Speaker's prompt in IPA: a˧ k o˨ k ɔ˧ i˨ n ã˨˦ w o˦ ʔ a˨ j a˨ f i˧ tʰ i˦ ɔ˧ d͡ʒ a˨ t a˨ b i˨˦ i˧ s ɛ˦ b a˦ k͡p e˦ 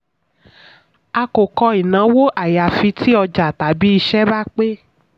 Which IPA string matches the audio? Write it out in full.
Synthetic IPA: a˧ k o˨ k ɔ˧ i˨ n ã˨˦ w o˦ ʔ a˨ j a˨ f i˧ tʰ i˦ ɔ˧ d͡ʒ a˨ t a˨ b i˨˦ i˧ ʃ ɛ˦ b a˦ k͡p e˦